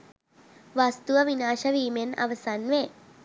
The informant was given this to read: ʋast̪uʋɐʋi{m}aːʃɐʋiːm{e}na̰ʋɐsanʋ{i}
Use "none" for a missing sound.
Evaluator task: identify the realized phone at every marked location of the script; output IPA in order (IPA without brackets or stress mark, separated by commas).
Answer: n, e, e